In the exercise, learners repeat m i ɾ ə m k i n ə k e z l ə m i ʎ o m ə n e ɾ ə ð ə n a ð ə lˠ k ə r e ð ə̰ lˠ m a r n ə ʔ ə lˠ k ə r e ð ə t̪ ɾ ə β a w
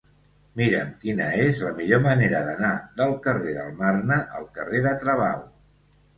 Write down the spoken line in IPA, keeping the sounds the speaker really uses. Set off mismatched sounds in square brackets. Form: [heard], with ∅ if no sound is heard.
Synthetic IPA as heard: m i ɾ ə m k i n ə [∅] e z l ə m i ʎ o m ə n e ɾ ə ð ə n a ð ə lˠ k ə r e ð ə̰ lˠ m a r n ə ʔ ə lˠ k ə r e ð ə t̪ ɾ ə β a w